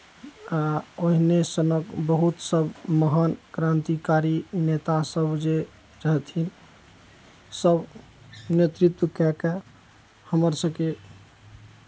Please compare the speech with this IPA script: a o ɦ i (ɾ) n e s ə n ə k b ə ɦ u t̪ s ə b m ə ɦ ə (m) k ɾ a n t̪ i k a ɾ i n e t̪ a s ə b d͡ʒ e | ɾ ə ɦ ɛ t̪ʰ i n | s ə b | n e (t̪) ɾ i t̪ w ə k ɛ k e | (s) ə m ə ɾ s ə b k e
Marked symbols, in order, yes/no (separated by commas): no, no, yes, no